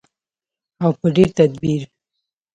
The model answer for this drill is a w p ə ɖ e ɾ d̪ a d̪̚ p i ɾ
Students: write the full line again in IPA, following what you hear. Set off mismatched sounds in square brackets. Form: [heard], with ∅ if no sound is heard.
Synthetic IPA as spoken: a w p ə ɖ e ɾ [t̪] a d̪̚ [b] i ɾ